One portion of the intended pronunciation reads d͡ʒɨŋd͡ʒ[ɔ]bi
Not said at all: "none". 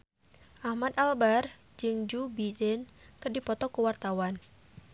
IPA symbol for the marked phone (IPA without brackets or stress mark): u